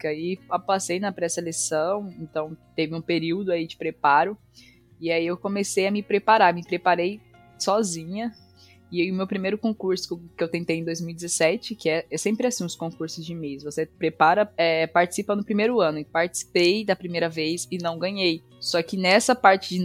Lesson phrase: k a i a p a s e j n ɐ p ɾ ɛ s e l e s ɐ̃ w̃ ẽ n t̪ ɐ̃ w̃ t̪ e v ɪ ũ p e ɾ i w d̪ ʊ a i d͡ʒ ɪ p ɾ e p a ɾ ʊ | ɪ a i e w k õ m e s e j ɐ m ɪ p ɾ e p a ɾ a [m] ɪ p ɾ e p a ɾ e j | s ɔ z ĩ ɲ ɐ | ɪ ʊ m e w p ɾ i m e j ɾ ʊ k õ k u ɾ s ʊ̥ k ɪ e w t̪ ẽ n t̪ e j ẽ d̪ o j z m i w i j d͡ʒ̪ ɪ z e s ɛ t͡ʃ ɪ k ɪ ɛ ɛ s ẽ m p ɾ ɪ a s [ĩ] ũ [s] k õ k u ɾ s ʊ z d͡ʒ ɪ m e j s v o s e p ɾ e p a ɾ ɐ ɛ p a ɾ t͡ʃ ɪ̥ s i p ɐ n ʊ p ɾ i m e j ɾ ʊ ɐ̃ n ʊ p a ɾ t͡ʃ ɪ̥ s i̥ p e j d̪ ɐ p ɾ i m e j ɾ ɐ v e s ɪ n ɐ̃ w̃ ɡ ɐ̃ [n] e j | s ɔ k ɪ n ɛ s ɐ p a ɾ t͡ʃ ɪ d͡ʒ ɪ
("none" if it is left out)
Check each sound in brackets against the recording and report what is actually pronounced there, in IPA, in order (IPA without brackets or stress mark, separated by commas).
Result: m, ĩ, s, ɲ